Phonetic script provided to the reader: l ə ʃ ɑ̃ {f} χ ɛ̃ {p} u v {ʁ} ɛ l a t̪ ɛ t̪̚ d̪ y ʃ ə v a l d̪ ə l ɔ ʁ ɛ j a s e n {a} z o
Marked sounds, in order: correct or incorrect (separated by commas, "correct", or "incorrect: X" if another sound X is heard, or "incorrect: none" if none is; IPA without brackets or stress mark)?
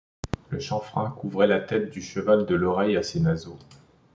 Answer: correct, incorrect: k, correct, correct